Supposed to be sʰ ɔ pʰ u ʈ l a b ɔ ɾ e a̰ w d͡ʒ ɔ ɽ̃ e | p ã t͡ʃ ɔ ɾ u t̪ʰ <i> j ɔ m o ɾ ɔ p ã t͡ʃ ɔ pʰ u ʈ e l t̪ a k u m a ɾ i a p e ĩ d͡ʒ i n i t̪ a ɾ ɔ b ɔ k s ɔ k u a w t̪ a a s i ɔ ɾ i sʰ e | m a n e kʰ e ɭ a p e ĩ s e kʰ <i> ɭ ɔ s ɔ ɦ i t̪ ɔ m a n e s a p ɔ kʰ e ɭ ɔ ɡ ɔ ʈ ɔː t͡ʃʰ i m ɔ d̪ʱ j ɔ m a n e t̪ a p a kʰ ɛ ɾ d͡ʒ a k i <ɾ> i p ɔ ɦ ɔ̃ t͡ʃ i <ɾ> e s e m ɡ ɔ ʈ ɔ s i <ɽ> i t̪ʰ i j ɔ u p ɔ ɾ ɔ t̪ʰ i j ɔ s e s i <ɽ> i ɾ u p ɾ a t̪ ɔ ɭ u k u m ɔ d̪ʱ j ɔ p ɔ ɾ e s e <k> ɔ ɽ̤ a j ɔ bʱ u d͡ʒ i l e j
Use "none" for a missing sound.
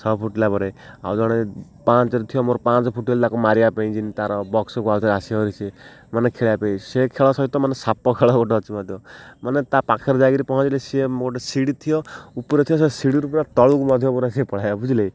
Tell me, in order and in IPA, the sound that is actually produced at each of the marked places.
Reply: i, e, ɾ, l, ɽ, ɽ, p

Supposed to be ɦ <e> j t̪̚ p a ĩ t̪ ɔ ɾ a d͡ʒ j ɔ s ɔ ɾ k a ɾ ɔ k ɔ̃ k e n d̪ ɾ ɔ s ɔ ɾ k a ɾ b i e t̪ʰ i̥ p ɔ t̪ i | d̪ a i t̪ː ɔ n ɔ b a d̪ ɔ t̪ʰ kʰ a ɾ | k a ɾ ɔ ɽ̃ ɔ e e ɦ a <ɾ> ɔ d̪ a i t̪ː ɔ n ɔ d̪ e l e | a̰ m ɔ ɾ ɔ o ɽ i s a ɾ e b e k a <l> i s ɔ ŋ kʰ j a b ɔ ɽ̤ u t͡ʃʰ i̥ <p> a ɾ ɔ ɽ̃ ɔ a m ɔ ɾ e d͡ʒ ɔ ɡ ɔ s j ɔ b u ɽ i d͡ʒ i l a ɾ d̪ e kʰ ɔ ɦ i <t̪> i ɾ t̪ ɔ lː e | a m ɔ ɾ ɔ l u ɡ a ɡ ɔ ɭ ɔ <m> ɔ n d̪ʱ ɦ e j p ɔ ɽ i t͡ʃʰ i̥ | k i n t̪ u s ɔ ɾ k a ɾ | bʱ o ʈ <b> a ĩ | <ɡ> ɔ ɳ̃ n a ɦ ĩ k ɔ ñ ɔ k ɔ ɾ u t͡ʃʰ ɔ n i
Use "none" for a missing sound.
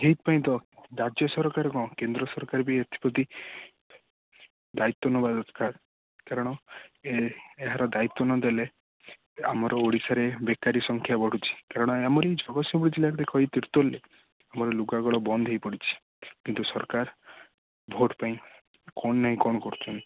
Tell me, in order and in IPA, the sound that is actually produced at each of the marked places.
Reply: e, ɾ, ɾ, k, t̪, b, p, k

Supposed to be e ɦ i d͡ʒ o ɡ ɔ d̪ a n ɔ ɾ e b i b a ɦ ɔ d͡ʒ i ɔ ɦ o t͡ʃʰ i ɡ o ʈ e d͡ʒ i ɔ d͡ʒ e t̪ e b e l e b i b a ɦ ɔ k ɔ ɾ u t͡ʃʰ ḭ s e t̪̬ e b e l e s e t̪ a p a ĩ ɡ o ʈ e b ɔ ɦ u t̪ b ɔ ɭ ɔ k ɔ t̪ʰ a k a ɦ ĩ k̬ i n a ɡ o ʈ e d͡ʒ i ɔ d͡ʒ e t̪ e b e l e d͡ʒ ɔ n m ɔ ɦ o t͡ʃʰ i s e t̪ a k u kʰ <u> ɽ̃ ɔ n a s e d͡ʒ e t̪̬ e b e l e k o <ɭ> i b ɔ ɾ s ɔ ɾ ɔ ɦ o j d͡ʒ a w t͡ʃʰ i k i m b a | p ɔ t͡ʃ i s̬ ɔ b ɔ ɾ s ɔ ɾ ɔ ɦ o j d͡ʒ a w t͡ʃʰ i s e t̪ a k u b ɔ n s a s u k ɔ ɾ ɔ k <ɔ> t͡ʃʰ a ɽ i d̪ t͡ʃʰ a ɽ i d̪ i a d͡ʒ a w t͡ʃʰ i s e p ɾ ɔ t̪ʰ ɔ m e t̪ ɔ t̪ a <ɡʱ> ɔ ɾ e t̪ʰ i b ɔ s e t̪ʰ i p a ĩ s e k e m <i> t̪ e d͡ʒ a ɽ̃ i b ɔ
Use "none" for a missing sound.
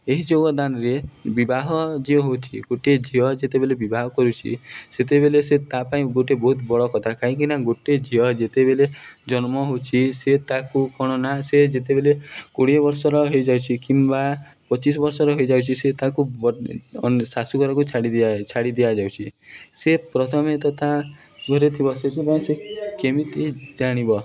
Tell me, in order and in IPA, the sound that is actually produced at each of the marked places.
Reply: ɔ, ɽ, u, ɡʱ, i

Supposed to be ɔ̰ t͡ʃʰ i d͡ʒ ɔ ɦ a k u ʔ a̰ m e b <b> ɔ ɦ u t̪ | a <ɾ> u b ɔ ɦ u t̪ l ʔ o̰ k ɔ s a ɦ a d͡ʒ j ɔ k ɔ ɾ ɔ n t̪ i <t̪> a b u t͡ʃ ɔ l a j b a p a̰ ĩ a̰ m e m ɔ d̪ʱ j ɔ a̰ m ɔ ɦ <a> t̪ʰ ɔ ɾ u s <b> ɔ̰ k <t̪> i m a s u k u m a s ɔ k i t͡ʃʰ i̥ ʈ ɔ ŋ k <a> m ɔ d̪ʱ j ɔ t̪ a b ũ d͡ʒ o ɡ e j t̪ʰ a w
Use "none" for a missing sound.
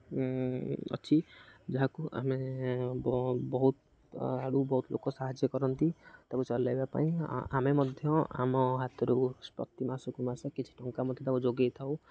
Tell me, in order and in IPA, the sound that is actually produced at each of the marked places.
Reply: b, ɽ, t̪, a, p, t̪, a

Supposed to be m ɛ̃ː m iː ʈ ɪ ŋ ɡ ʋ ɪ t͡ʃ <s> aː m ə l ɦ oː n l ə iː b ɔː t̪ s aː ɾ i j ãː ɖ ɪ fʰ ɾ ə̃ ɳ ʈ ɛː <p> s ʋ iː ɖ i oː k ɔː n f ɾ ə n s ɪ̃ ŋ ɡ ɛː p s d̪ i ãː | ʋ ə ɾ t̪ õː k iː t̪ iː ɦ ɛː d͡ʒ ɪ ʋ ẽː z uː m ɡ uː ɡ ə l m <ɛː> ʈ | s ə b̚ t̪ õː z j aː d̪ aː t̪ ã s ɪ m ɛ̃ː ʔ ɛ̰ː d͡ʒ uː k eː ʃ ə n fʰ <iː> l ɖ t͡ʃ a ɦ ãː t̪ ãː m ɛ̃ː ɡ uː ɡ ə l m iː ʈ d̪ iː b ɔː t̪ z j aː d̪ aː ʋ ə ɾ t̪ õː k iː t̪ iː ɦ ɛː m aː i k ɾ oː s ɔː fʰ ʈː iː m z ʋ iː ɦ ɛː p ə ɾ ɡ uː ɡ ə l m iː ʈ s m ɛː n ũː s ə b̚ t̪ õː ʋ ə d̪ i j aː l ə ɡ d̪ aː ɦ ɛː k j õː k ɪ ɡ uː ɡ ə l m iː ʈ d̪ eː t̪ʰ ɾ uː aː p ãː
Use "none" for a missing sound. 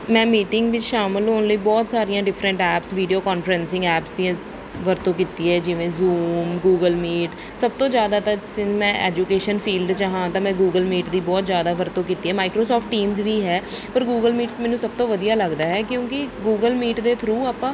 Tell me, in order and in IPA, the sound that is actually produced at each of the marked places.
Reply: ʃ, p, iː, iː

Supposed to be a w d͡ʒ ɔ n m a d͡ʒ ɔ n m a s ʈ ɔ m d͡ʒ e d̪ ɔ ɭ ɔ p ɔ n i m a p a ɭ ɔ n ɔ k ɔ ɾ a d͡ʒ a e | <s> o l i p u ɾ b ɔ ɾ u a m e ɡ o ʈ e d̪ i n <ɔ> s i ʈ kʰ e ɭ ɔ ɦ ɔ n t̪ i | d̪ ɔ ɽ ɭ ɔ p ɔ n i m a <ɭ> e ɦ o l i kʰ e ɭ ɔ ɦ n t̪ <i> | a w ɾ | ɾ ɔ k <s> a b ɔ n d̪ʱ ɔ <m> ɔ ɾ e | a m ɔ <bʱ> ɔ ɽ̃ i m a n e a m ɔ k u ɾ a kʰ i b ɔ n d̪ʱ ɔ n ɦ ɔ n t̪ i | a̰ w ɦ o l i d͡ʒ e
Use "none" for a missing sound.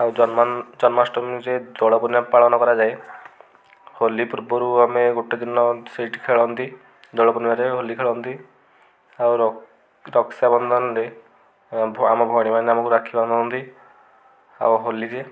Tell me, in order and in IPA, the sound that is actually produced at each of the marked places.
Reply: h, ɔ, ɾ, i, s, n, bʱ

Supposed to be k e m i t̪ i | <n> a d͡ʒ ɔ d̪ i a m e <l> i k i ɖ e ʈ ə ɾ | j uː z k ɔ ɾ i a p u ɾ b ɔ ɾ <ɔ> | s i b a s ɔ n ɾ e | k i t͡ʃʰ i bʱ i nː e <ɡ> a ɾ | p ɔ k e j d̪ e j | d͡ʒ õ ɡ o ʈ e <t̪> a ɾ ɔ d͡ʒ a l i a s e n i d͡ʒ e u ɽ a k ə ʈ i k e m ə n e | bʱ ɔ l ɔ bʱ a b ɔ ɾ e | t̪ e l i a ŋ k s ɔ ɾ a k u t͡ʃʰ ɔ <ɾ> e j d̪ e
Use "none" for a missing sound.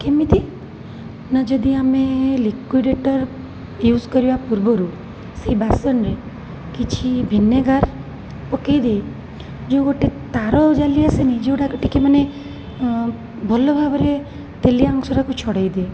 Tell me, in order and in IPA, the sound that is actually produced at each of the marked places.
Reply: n, l, u, ɡ, t̪, ɽ

